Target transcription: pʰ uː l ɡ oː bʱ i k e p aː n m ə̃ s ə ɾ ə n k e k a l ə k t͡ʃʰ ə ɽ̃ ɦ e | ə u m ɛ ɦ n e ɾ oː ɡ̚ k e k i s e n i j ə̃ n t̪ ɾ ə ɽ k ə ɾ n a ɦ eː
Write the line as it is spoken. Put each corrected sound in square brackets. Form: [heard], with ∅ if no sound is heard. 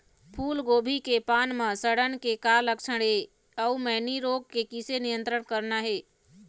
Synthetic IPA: pʰ uː l ɡ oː bʱ i k e p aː n m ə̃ s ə [ɽ] ə n k e k a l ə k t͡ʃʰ ə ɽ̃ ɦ e | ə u m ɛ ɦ n [i] ɾ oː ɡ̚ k e k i s e n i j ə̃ n t̪ ɾ ə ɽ k ə ɾ n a ɦ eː